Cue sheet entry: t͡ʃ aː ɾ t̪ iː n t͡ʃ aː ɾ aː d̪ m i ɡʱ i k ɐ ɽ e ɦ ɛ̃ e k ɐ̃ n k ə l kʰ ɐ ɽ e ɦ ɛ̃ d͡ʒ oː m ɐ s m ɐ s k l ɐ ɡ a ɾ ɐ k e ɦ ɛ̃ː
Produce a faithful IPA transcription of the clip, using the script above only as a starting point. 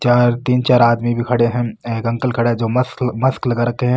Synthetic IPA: t͡ʃ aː ɾ t̪ iː n t͡ʃ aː ɾ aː d̪ m i bʱ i kʰ ɐ ɽ e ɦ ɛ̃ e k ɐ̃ ŋ k ə l kʰ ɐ ɽ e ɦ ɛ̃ d͡ʒ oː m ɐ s m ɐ s k l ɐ ɡ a ɾ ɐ k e ɦ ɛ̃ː